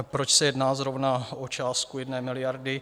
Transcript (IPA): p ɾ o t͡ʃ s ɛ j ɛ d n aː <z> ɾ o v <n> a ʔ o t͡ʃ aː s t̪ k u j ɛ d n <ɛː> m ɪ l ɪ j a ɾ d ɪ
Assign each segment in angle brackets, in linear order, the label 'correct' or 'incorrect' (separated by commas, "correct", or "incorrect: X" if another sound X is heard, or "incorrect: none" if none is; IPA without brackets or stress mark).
correct, correct, correct